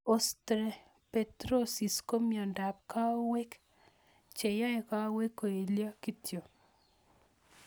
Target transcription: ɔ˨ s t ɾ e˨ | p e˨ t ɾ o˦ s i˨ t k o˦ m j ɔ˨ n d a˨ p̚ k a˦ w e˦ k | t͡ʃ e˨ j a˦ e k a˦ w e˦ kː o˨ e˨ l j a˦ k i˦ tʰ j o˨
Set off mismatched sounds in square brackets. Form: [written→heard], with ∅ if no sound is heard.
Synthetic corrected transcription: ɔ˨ s t ɾ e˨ | p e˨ t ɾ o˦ s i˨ [t→s] k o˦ m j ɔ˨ n d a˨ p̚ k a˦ w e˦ k | t͡ʃ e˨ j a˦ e k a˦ w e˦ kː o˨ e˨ l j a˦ k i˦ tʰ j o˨